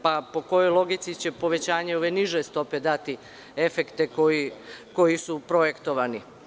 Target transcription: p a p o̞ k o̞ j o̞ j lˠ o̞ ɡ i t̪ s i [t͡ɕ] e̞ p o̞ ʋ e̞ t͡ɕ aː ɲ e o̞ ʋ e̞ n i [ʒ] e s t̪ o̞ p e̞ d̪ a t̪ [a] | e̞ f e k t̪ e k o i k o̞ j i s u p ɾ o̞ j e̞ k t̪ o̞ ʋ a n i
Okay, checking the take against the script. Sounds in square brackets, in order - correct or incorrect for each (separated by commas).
correct, correct, incorrect